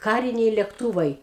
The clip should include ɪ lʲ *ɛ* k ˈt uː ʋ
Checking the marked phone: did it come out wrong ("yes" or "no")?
no